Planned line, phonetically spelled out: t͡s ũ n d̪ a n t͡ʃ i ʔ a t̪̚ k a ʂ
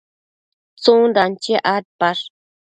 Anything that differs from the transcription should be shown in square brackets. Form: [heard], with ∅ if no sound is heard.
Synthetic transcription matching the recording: t͡s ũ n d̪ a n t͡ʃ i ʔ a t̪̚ [p] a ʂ